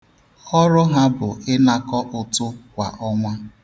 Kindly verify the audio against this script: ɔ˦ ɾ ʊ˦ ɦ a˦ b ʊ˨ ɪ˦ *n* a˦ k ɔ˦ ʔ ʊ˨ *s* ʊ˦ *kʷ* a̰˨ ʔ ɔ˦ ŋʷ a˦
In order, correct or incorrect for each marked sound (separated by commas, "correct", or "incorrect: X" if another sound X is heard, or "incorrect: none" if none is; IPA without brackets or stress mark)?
correct, incorrect: t, correct